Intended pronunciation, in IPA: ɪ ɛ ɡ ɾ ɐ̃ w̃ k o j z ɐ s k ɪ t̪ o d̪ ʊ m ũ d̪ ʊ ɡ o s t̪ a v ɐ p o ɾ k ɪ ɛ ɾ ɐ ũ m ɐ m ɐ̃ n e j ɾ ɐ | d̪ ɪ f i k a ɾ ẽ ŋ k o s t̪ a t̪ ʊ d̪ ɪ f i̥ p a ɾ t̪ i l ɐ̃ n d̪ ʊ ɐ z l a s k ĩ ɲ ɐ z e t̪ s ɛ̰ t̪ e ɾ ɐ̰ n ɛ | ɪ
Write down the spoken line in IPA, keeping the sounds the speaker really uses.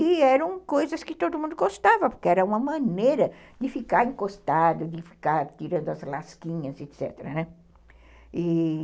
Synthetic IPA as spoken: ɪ ɛ ɾ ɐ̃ w̃ k o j z ɐ s k ɪ t̪ o d̪ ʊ m ũ d̪ ʊ ɡ o s t̪ a v ɐ p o ɾ k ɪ ɛ ɾ ɐ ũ m ɐ m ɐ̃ n e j ɾ ɐ | d̪ ɪ f i k a ɾ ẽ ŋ k o s t̪ a d̪ ʊ d̪ ɪ f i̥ k a ɾ t̪ i ɾ ɐ̃ n d̪ ʊ ɐ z l a s k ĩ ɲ ɐ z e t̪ s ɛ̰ t̪ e ɾ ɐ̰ n ɛ | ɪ

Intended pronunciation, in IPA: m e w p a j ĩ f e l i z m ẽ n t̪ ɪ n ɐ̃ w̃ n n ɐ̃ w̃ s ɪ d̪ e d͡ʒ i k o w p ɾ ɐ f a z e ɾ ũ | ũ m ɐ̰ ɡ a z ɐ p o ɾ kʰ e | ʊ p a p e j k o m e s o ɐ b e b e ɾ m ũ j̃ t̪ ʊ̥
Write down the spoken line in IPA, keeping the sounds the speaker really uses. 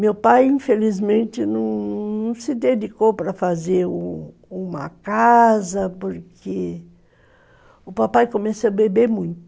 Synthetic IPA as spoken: m e w p a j ĩ f e l i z m ẽ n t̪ ɪ n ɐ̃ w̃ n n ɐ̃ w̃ s ɪ d̪ e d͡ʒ i k o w p ɾ ɐ f a z e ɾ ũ | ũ m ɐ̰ k a z ɐ p o ɾ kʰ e | ʊ p a p a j k o m e s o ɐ b e b e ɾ m ũ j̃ t̪ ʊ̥

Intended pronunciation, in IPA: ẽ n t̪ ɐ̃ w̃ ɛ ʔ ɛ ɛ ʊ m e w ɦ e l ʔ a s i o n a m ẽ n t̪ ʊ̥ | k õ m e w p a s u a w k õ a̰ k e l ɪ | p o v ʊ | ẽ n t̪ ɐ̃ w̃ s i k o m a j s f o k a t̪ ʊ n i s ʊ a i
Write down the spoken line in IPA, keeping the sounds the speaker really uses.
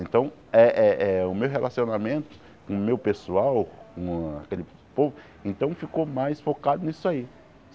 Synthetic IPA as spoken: ẽ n t̪ ɐ̃ w̃ ɛ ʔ ɛ ɛ ʊ m e w ɦ e l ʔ a s i o n a m ẽ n t̪ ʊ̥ | k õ m e w p e s u a w k õ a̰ k e l ɪ | p o v ʊ | ẽ n t̪ ɐ̃ w̃ f i k o m a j s f o k a d̪ ʊ n i s ʊ a i

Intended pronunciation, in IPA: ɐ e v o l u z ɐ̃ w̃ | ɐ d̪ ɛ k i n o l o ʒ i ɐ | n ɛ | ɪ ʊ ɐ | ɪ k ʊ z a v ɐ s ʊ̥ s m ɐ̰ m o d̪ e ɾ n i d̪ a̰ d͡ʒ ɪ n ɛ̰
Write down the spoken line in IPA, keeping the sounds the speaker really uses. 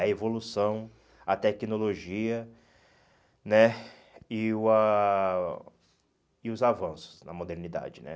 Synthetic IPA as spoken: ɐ e v o l u s ɐ̃ w̃ | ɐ t̪ ɛ k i n o l o ʒ i ɐ | n ɛ | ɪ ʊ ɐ | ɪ ʊ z a v ɐ̃ s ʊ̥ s n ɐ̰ m o d̪ e ɾ n i d̪ a̰ d͡ʒ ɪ n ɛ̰

